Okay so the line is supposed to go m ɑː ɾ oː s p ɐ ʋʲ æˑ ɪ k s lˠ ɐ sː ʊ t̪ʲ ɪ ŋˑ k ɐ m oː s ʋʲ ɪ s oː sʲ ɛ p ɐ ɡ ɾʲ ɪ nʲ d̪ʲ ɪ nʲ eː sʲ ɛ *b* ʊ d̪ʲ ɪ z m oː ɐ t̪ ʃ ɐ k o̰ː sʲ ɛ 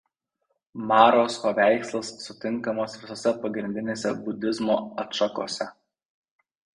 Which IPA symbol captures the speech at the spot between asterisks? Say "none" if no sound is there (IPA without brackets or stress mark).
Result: b